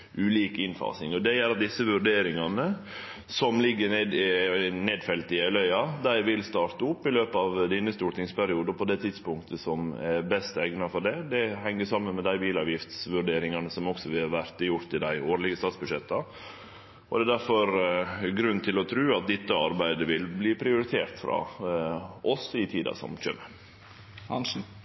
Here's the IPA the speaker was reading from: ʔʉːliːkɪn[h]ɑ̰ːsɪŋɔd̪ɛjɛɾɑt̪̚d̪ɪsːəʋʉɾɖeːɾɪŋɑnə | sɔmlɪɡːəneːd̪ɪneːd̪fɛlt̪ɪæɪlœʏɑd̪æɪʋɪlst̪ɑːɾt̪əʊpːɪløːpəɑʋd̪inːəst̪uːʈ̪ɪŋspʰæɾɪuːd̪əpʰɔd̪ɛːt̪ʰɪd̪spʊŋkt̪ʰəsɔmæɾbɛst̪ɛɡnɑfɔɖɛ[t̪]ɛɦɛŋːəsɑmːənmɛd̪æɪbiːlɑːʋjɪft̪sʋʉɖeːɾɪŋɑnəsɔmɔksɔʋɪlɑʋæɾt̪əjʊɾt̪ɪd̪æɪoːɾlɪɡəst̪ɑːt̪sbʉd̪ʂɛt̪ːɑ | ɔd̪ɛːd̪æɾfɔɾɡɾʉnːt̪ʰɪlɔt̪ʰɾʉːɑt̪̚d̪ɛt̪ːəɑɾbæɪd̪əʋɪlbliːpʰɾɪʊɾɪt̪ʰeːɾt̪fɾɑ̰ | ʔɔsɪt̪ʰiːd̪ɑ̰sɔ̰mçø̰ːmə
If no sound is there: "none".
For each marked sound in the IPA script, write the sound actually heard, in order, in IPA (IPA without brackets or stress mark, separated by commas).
f, d̪